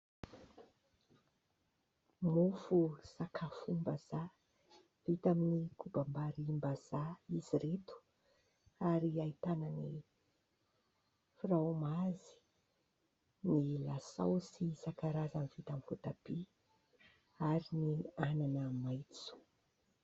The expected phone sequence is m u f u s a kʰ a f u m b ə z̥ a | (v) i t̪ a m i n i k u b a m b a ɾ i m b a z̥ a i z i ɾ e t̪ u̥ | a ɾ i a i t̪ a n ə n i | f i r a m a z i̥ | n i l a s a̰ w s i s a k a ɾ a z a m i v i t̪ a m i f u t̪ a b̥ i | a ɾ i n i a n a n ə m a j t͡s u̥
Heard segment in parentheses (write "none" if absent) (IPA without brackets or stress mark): v